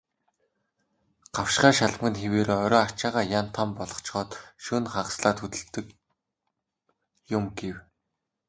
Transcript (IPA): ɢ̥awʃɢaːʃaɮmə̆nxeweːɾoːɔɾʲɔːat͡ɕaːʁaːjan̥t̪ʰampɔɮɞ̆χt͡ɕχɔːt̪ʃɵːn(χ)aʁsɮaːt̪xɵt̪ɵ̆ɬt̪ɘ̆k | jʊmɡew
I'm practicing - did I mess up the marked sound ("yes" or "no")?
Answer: no